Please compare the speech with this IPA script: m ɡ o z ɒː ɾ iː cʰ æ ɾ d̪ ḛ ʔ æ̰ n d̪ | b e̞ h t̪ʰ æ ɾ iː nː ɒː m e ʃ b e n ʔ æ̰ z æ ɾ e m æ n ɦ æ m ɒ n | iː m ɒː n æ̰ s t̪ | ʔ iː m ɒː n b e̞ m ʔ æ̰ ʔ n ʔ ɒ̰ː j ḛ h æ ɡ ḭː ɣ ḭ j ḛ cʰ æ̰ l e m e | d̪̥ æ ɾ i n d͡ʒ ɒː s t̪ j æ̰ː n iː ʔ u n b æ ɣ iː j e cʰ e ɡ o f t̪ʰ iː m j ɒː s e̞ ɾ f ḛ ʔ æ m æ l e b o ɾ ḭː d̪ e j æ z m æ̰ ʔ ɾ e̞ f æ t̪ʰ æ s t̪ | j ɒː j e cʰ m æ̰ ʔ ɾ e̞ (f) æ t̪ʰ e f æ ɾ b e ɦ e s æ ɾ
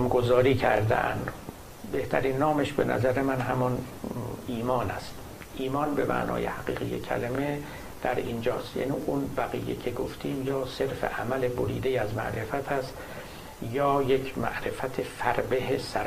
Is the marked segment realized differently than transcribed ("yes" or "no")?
no